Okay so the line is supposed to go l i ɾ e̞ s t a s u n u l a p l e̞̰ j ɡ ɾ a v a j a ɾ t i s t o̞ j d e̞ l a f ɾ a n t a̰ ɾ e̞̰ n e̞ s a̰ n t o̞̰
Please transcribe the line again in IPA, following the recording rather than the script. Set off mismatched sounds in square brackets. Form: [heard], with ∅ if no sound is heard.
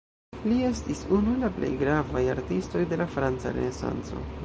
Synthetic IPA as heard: l i [∅] e̞ s t [i] s u n u l a p l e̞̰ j ɡ ɾ a v a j a ɾ t i s t o̞ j d e̞ l a f ɾ a n [t͡s] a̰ ɾ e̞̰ n e̞ s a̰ n [t͡s] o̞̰